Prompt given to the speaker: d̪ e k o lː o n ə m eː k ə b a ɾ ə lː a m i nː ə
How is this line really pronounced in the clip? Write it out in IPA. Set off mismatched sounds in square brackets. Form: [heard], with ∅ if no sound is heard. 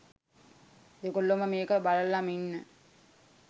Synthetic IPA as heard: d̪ e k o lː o [m] ə m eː k ə b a [l] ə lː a m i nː ə